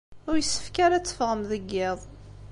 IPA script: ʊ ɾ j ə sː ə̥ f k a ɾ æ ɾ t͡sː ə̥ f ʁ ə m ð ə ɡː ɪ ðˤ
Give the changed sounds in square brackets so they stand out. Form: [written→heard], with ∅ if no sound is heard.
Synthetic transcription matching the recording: ʊ ɾ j ə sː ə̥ f k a ɾ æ [ɾ→∅] t͡sː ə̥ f ʁ ə m ð ə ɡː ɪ ðˤ